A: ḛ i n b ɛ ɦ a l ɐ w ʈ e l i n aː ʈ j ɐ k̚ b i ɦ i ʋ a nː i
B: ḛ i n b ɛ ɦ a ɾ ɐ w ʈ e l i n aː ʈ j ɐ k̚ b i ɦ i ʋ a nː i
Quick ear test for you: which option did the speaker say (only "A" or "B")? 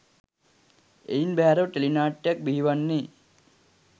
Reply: B